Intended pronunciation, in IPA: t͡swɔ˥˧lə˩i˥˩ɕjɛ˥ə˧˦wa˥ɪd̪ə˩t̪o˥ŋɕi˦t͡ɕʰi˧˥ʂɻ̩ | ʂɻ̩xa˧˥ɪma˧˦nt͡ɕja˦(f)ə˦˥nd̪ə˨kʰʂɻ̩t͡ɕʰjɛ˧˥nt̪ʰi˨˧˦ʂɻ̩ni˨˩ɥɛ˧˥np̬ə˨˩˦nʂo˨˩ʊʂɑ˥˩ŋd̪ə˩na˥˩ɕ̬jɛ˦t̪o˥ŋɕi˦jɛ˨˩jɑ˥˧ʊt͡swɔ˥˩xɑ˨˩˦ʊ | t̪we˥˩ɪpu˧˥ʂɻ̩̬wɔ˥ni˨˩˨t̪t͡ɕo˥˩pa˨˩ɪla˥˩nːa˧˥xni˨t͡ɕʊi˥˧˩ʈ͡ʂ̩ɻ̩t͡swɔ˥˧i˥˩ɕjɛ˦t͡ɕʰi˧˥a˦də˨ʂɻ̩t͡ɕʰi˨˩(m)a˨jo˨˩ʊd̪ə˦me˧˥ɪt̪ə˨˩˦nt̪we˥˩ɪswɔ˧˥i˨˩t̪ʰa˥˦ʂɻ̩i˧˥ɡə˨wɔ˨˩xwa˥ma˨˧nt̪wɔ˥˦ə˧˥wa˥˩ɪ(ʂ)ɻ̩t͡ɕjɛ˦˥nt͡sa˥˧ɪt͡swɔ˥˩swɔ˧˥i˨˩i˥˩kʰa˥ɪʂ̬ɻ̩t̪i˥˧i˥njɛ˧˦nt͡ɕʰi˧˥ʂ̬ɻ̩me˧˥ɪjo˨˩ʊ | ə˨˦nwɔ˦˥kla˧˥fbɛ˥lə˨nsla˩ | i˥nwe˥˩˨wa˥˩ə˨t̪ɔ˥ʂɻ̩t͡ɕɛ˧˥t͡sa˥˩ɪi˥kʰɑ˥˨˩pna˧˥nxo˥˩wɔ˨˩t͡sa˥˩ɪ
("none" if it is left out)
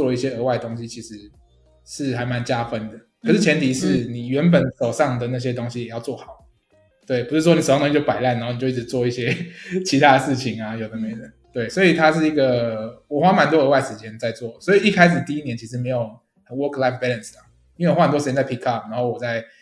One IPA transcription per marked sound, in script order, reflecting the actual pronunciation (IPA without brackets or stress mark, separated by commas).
f, ŋ, ʂ